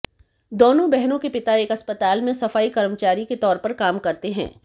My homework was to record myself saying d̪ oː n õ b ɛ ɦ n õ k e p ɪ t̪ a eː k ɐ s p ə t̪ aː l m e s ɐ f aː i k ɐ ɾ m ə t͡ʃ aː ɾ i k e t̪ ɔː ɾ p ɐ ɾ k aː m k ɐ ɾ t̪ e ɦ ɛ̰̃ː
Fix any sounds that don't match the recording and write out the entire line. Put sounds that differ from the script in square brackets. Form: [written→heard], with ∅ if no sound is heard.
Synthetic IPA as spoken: d̪ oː n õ b ɛ ɦ n õ k e p ɪ t̪ a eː k ɐ s p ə t̪ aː l m [e→ẽ] s ɐ f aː i k ɐ ɾ m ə t͡ʃ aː ɾ i k e t̪ ɔː ɾ p ɐ ɾ k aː m k ɐ ɾ t̪ e ɦ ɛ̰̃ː